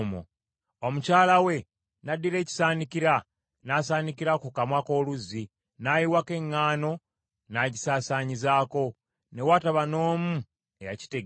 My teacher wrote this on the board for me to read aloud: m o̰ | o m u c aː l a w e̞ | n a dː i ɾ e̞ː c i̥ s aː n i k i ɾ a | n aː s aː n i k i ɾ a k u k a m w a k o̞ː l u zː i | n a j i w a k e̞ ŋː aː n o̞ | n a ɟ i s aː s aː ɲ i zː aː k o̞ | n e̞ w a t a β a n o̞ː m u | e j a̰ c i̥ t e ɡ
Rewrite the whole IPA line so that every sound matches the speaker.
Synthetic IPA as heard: m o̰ | o m u c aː l a w e̞ | n a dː i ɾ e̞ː c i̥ s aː n i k i ɾ a | n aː s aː n i k i ɾ a k u k a m w a k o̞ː l u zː i | n a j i w a k e̞ ŋː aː n o̞ | n a ɟ i s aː s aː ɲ i z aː k o̞ | n e̞ w a t a β a n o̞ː m u | e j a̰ c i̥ t e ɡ